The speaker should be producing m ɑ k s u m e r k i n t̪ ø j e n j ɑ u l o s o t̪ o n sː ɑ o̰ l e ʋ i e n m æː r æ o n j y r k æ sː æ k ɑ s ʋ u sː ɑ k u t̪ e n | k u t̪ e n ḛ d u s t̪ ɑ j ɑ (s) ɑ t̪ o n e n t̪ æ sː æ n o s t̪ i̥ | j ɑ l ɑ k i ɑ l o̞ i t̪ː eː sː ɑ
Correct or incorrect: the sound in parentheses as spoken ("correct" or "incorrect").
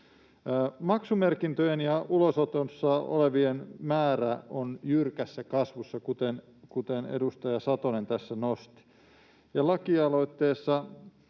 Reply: correct